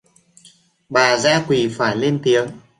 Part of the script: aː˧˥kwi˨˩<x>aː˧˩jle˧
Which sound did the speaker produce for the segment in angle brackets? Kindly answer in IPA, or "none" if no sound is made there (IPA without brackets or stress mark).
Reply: f